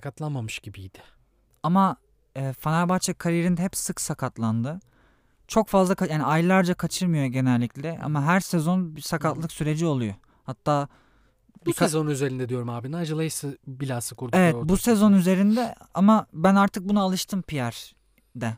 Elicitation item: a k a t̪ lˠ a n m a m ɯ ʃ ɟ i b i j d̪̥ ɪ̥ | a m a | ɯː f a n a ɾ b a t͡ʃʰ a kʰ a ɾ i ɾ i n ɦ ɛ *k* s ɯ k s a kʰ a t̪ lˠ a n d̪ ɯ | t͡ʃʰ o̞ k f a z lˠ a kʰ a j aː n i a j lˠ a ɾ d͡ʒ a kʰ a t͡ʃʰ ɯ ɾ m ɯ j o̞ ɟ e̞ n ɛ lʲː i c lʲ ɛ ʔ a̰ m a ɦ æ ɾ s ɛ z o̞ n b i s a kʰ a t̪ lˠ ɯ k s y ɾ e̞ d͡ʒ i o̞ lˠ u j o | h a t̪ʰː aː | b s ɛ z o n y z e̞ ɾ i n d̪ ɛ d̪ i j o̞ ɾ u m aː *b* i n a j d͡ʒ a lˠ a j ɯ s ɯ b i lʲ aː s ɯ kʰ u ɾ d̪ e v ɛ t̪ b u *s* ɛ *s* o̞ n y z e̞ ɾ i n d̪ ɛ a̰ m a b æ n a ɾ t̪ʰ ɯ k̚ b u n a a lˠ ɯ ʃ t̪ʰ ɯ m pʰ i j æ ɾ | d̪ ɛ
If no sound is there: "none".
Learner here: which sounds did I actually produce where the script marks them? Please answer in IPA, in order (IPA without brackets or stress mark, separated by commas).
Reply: p, b, s, z